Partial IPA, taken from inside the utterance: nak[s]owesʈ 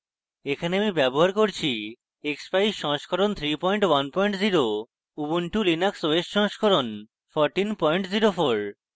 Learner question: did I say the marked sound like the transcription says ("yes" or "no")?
yes